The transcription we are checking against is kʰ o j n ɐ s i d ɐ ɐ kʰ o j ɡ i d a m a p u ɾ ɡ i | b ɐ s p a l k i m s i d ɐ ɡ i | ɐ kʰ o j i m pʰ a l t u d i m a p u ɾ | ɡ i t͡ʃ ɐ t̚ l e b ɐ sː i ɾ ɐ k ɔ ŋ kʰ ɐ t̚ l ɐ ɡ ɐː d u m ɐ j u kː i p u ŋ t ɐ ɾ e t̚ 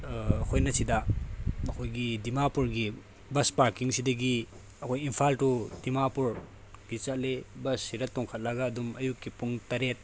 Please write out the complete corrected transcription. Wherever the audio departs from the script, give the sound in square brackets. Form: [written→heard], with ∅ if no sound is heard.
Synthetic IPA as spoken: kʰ o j n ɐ s i d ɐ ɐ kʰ o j ɡ i d [a→i] m a p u ɾ ɡ i | b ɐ s p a [l→ɾ] k i [m→ŋ] s i d ɐ ɡ i | ɐ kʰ o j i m pʰ a l t u d i m a p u ɾ | ɡ i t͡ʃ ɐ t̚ l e b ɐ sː i ɾ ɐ [k→t] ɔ ŋ kʰ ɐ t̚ l ɐ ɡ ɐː d u m ɐ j u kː i p u ŋ t ɐ ɾ e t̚